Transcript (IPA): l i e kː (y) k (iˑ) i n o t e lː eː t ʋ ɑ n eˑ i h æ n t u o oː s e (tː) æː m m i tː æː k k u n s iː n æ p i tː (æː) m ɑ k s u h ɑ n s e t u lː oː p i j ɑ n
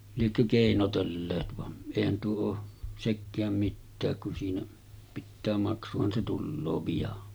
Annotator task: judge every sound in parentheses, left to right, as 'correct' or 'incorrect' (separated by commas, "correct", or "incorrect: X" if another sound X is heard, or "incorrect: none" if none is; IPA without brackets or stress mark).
incorrect: ø, incorrect: eˑ, incorrect: kː, correct